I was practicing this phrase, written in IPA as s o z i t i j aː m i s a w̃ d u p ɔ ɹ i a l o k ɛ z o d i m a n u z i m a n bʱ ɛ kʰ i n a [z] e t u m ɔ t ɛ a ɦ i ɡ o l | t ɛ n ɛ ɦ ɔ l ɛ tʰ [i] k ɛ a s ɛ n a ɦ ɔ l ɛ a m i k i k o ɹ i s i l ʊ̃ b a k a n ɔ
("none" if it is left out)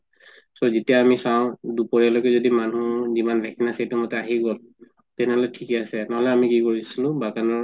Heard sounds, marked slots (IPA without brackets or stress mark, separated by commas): s, i